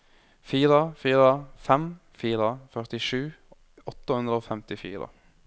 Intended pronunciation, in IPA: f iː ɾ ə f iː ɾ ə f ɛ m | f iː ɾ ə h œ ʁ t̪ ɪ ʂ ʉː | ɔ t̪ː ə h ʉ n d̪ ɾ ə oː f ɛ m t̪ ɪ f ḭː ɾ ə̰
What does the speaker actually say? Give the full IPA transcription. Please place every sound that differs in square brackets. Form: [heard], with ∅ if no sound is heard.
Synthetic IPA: f iː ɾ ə f iː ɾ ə f ɛ m | f iː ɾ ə [f] œ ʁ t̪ ɪ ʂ ʉː | ɔ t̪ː ə h ʉ n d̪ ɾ ə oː f ɛ m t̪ ɪ f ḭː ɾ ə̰